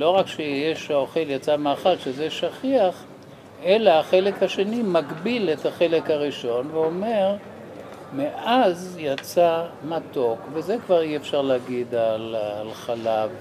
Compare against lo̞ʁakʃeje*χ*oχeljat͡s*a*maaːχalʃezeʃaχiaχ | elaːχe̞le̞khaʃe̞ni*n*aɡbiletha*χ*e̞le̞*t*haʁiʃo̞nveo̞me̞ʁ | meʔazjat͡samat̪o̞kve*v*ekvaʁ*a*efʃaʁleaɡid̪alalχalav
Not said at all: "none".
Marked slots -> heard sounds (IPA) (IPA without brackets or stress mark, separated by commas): ʃ, a, m, χ, k, z, i